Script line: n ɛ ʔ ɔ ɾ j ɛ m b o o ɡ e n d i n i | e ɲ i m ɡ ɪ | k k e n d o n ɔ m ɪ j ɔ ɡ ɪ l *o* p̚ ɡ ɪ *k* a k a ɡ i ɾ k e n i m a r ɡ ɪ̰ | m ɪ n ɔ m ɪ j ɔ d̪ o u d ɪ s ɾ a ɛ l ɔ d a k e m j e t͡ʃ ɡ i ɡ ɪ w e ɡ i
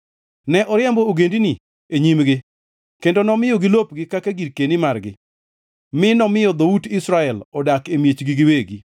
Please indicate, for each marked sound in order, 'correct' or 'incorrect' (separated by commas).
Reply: correct, correct